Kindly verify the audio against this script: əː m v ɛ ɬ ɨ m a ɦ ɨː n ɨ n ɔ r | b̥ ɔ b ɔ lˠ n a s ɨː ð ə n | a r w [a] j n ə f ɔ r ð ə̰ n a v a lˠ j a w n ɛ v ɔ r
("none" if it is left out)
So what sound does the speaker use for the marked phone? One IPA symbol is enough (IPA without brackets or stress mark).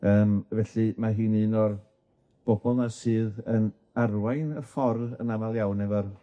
a